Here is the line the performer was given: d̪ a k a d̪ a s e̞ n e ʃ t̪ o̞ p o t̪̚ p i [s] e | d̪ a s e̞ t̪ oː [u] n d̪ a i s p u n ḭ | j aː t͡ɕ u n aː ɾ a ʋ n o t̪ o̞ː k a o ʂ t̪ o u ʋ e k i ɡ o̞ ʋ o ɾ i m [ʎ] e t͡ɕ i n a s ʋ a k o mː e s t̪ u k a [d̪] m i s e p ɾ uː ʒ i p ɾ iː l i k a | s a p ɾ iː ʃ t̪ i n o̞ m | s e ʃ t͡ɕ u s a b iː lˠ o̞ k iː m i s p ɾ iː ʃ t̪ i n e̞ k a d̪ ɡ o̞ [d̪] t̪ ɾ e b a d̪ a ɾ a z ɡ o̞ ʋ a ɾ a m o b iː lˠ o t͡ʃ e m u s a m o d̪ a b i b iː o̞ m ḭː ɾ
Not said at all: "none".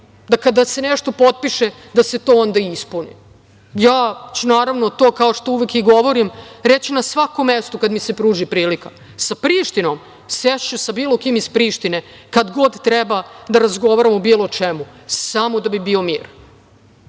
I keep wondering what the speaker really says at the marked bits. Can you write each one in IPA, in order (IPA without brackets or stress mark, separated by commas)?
ʃ, o, ɾ, d̪, d̪